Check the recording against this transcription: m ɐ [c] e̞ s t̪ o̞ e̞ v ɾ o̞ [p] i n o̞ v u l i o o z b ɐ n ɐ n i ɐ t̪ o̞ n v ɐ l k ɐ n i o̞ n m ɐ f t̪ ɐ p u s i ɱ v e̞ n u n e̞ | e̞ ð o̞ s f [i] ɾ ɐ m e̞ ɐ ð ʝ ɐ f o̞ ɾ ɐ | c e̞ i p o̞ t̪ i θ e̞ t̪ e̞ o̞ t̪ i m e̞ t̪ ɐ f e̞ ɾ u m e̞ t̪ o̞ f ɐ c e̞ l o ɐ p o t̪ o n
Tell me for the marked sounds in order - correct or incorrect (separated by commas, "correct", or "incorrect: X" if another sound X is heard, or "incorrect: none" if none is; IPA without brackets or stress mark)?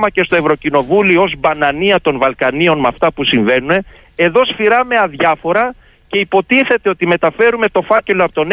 correct, incorrect: c, correct